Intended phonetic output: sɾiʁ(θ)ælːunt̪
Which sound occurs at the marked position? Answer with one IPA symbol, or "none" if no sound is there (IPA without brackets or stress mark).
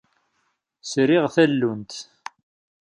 θ